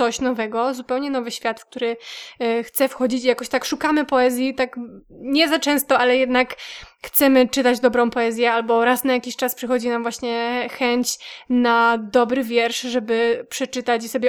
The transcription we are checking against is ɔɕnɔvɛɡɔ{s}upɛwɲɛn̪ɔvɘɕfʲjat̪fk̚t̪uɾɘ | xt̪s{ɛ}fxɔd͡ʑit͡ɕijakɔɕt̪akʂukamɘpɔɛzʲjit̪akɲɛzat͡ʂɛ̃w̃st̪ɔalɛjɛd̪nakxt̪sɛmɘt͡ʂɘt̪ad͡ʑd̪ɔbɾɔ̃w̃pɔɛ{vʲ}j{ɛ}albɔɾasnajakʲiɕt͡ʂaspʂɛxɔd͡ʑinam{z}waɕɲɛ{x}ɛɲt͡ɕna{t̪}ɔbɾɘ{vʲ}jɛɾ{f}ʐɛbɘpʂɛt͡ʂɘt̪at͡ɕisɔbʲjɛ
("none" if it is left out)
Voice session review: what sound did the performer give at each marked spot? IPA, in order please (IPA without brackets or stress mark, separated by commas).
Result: z, ɛ, zʲ, ɛ, v, x, d̪, vʲ, ʂ